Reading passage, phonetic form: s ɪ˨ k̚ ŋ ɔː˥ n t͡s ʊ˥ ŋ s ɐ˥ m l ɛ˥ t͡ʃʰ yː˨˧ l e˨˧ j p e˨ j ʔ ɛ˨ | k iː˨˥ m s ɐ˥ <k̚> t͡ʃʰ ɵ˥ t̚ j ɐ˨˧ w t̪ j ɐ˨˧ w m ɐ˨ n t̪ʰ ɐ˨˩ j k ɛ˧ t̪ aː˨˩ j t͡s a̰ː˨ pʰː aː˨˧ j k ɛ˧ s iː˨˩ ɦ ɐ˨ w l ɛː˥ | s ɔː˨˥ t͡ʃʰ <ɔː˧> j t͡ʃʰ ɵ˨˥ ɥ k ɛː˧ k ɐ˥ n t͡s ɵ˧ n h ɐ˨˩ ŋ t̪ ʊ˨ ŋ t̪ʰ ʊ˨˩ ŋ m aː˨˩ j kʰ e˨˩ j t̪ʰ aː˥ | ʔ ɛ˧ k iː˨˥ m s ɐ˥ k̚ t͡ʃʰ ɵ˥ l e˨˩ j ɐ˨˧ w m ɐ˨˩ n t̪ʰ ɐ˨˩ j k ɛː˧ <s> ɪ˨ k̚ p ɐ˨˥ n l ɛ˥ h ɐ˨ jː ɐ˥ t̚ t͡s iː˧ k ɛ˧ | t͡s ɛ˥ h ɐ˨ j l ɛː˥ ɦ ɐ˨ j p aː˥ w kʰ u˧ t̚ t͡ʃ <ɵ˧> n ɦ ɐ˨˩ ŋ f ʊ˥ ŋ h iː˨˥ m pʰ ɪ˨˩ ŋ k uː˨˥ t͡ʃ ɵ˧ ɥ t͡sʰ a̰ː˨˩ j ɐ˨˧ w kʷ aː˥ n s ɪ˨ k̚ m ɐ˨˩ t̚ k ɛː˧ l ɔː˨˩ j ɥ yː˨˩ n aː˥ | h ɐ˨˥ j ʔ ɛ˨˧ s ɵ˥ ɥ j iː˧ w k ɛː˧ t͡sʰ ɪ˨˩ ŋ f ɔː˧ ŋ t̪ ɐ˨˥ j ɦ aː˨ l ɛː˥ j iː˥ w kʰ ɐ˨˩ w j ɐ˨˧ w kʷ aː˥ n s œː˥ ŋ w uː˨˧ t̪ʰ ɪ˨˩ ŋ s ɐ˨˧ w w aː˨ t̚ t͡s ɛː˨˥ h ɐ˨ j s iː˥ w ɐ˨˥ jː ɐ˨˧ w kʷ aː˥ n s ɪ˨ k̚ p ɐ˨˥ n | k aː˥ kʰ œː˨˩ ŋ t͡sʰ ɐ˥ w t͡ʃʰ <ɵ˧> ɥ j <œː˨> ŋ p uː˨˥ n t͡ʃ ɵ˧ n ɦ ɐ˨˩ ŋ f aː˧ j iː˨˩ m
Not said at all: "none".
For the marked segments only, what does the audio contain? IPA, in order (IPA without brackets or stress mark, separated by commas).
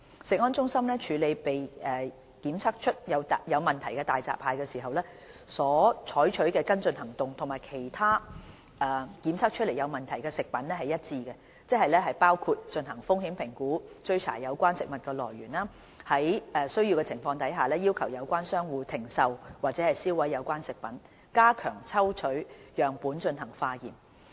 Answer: k̚, ɔː˨˥, s, ɵ˧, ɵ˨˥, œː˨